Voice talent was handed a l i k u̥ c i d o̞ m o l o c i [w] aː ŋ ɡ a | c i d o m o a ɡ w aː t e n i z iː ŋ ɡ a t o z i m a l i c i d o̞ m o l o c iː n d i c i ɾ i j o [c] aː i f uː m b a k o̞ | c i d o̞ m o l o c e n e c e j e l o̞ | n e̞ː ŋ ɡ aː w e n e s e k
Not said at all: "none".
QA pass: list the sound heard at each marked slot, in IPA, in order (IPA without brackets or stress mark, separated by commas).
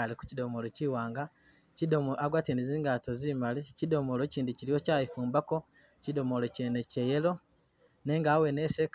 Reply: w, c